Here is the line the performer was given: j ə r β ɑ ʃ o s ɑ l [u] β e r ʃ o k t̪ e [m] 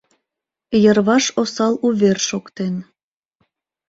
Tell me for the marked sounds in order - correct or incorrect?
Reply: correct, incorrect: n

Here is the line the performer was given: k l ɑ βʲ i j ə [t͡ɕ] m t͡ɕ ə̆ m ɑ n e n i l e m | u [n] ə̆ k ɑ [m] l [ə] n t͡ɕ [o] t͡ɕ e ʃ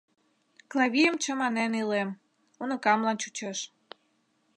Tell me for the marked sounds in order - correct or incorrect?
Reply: incorrect: none, correct, correct, incorrect: ɑ, incorrect: u

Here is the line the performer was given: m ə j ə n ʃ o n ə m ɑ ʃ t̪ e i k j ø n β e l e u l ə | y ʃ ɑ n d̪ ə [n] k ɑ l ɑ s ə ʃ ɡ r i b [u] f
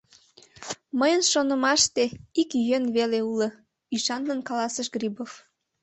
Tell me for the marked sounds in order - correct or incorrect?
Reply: correct, incorrect: o

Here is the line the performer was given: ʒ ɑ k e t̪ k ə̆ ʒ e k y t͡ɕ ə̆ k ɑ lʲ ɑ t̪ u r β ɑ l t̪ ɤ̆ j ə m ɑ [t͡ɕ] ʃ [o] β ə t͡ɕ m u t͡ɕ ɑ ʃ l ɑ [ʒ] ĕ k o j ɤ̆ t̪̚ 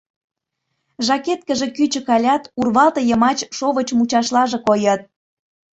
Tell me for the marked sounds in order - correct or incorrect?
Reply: correct, correct, correct

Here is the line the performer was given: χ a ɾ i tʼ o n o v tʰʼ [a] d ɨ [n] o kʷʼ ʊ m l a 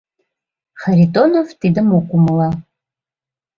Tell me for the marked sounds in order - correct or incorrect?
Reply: incorrect: i, incorrect: m

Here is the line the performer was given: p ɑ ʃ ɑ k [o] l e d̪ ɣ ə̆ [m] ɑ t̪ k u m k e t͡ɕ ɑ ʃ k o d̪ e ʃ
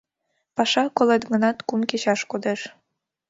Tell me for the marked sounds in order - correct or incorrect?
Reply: correct, incorrect: n

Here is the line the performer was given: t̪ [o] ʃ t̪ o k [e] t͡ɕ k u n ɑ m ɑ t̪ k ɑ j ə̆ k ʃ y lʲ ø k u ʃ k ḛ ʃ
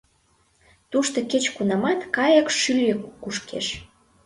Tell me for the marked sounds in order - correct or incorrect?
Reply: incorrect: u, correct

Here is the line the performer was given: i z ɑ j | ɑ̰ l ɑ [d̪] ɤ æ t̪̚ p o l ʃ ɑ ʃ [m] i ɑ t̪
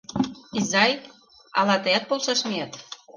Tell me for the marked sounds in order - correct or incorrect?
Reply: incorrect: t̪, correct

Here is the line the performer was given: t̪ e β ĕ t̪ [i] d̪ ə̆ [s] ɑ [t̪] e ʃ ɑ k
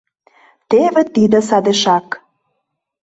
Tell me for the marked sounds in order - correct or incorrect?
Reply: correct, correct, incorrect: d̪

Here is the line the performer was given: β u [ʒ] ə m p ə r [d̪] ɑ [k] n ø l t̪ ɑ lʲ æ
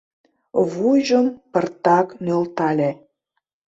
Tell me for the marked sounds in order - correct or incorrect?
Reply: correct, incorrect: t̪, correct

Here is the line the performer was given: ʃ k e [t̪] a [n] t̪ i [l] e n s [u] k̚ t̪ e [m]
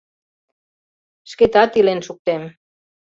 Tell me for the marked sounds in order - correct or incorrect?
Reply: correct, incorrect: none, correct, correct, correct

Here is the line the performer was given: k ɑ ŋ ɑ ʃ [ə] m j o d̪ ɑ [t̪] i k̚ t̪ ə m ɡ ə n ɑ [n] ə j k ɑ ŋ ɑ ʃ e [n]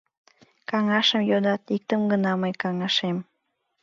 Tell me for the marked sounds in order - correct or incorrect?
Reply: correct, correct, incorrect: m, incorrect: m

